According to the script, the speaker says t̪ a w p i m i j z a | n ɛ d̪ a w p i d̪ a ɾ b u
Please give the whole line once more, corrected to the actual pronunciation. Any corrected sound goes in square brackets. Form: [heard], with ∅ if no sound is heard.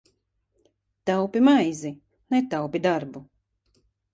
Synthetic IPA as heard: t̪ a w p i m [a] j z [i] | n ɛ [t̪] a w p i d̪ a ɾ b u

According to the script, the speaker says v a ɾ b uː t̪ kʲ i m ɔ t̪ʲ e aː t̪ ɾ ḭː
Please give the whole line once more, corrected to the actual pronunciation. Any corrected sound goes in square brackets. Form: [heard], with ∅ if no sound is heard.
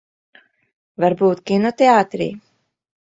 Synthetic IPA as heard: v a ɾ b uː t̪ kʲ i [n] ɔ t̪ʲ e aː t̪ ɾ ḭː

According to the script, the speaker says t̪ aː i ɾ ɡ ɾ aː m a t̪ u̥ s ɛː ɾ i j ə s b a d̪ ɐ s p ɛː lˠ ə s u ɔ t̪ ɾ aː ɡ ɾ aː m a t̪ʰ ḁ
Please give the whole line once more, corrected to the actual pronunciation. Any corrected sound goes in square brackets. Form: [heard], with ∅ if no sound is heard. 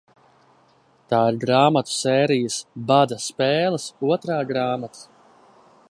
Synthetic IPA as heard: t̪ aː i ɾ ɡ ɾ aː m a t̪ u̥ s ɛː ɾ i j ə s b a d̪ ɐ s p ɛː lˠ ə s u ɔ t̪ ɾ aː ɡ ɾ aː m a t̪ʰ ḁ

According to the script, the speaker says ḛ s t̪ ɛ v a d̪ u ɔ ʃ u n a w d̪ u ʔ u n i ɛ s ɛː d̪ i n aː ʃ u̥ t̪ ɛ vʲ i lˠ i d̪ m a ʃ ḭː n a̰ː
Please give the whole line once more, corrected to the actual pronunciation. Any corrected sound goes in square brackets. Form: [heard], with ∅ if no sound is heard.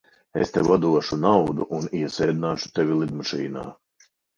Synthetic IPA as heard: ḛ s t̪ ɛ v a d̪ u ɔ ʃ u n a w d̪ u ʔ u n i ɛ s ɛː d̪ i n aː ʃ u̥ t̪ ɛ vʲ i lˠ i d̪ m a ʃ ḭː n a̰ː

